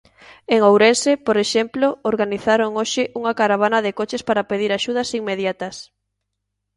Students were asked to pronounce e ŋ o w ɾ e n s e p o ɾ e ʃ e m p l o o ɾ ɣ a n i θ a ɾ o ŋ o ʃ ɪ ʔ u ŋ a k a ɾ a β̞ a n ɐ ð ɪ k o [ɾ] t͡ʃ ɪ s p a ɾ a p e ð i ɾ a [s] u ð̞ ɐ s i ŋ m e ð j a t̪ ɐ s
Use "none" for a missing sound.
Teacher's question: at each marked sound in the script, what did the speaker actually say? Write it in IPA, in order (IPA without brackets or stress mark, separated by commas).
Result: none, ʃ